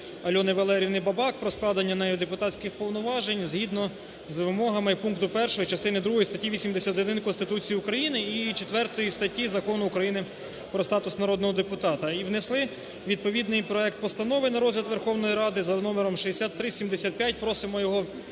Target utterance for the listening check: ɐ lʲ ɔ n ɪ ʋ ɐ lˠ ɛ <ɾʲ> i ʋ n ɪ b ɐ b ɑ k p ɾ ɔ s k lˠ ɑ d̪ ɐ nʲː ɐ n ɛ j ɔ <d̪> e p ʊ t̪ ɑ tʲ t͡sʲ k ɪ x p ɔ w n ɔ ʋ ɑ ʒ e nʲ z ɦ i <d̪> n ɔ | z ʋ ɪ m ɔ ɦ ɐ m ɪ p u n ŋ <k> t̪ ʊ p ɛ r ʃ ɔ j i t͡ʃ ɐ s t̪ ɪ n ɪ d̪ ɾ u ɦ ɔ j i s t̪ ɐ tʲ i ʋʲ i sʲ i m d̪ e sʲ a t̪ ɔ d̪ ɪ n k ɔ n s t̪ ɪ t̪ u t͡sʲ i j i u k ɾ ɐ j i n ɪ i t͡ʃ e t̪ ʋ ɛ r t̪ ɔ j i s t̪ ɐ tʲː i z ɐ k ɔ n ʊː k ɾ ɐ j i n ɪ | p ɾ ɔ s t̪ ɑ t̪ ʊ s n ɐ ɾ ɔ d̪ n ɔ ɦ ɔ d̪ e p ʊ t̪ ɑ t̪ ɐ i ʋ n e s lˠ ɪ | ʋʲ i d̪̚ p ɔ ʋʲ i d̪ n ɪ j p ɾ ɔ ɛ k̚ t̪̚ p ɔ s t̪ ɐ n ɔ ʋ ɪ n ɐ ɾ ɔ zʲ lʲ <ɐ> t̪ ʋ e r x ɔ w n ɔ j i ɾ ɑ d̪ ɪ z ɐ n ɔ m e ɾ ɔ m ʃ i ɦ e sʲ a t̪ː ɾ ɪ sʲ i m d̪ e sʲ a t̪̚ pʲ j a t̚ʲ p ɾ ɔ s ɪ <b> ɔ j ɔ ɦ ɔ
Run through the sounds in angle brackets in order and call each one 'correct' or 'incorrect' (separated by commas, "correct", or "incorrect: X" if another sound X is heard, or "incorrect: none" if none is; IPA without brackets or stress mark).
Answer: correct, correct, correct, correct, correct, incorrect: m